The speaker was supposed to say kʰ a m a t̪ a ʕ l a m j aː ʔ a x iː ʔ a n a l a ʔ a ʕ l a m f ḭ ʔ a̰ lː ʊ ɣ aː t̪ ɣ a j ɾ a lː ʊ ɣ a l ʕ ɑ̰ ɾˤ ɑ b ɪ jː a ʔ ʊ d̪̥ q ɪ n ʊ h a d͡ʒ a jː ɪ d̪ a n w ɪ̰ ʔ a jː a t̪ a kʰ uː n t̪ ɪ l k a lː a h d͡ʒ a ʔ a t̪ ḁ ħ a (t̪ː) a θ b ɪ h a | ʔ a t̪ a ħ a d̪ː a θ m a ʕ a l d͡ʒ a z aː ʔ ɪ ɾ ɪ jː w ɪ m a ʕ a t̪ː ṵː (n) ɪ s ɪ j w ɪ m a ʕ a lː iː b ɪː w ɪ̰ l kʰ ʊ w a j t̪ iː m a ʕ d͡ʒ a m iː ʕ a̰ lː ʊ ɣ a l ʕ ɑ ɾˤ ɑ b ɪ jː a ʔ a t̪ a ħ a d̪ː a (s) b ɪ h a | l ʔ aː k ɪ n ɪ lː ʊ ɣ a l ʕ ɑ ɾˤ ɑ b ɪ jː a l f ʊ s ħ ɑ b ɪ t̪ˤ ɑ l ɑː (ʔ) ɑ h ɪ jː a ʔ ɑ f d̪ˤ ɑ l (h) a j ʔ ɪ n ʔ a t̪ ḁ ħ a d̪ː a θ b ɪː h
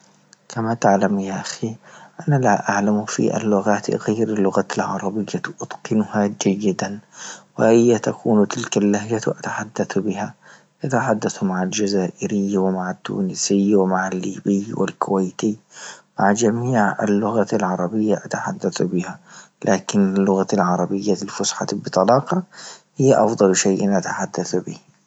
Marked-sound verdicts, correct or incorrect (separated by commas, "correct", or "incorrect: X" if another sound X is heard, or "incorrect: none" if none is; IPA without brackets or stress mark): incorrect: d̪ː, correct, incorrect: θ, incorrect: q, incorrect: ʃ